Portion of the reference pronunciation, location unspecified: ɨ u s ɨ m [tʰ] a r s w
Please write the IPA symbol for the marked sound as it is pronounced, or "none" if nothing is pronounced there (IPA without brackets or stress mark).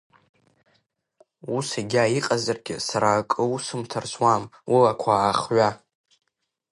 tʰ